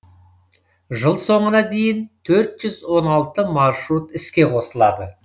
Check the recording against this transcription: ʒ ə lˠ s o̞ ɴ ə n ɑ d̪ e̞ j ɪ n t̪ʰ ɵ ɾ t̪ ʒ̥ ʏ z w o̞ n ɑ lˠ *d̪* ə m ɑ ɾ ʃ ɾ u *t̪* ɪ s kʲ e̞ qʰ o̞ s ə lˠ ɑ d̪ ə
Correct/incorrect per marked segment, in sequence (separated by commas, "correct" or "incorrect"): incorrect, correct